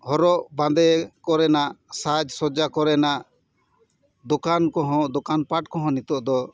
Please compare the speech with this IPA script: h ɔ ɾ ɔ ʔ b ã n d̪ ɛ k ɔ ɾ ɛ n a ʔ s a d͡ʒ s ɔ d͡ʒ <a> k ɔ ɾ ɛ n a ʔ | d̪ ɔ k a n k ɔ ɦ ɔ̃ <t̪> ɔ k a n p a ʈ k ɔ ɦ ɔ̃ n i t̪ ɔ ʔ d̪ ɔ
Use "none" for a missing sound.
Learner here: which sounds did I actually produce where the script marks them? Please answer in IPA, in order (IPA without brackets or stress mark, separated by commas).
a, d̪